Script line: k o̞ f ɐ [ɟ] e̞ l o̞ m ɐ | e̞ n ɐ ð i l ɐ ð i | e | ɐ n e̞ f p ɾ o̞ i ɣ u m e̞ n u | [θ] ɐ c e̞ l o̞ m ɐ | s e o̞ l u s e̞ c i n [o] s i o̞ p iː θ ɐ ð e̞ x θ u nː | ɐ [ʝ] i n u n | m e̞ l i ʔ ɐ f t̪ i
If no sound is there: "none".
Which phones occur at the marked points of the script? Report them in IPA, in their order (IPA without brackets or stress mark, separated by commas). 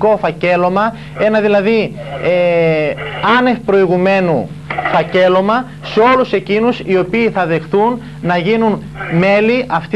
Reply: c, f, u, ʝ